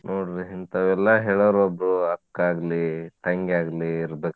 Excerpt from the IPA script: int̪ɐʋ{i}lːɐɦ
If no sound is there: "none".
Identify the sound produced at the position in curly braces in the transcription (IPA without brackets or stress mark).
ɛ